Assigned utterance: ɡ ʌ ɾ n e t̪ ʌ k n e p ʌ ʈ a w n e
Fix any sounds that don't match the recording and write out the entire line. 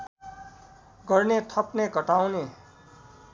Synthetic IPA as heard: ɡ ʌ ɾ n e t̪ʰ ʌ p n e k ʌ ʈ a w n e